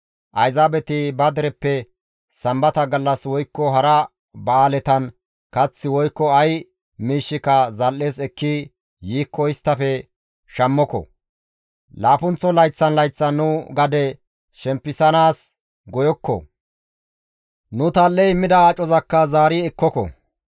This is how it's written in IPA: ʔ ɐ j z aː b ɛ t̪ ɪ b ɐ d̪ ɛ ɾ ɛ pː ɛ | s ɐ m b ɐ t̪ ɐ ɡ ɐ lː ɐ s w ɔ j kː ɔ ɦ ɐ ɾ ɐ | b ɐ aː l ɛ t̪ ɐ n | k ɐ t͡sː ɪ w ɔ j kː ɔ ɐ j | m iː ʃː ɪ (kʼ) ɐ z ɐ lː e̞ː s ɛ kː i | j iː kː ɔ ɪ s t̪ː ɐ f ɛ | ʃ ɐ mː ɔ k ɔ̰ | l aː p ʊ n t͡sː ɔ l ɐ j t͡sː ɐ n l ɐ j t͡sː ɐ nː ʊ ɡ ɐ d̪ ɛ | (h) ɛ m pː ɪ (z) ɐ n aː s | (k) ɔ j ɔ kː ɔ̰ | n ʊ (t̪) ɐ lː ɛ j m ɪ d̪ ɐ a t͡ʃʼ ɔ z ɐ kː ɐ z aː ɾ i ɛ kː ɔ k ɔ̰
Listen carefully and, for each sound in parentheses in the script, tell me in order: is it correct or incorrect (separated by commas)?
incorrect, incorrect, incorrect, incorrect, correct